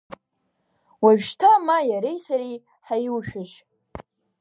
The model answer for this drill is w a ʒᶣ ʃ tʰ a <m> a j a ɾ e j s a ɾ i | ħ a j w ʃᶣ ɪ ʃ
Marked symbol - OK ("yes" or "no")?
yes